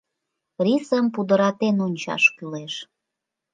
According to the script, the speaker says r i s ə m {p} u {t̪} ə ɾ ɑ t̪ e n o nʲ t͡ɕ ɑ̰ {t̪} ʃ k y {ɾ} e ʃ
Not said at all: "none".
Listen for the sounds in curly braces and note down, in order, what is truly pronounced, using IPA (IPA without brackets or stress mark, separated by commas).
p, d̪, none, l